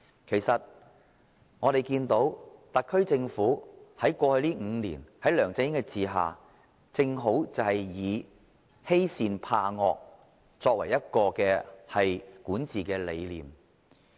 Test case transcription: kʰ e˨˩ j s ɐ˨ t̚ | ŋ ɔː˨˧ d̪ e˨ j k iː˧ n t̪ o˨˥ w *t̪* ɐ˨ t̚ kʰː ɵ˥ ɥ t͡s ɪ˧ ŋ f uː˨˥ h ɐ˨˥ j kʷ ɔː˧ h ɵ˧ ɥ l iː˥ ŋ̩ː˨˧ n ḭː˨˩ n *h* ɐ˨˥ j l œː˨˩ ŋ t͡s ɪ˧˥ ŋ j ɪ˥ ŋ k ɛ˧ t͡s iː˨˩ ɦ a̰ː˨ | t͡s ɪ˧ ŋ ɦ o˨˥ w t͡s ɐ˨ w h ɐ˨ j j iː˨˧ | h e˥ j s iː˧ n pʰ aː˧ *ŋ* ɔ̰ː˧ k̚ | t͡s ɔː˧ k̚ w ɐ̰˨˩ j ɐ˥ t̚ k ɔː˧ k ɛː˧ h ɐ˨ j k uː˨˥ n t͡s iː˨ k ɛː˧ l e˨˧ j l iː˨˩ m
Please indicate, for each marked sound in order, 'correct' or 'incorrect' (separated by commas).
correct, correct, correct